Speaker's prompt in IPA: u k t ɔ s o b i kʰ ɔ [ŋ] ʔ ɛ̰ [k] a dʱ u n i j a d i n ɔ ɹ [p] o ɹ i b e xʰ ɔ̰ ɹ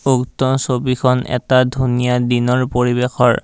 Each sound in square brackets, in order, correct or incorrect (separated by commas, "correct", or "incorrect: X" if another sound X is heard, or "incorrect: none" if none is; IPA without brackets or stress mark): incorrect: n, incorrect: t, correct